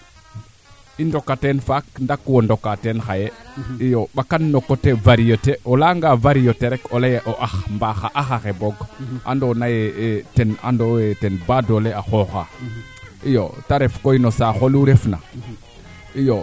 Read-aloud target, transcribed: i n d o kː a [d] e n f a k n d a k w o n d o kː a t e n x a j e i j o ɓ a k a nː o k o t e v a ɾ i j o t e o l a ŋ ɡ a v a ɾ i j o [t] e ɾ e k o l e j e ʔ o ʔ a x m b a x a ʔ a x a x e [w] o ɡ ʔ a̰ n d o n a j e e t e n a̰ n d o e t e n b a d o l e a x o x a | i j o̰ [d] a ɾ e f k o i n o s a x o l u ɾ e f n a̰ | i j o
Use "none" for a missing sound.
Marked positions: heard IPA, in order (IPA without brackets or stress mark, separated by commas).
t, t, b, t